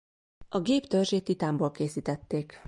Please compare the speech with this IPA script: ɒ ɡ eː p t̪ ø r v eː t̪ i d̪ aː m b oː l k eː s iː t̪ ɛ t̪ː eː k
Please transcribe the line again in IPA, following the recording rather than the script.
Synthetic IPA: ɒ ɡ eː p t̪ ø r ʒ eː t̪ i t̪ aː m b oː l k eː s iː t̪ ɛ t̪ː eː k